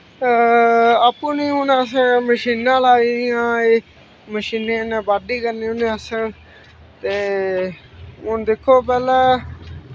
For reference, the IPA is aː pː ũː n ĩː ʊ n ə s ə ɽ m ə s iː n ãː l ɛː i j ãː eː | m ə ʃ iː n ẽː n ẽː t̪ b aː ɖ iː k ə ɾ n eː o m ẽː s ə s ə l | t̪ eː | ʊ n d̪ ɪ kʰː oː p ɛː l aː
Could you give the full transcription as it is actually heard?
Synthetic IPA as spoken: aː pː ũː n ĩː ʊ n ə s ə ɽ m ə ʃ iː n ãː l aː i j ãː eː | m ə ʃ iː n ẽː n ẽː b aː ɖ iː k ə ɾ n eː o n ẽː ə s ə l | t̪ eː | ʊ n d̪ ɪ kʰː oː p ɛː l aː